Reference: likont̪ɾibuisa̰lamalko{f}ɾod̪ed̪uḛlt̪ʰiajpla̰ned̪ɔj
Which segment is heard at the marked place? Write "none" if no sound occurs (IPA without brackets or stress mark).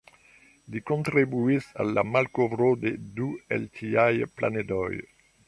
v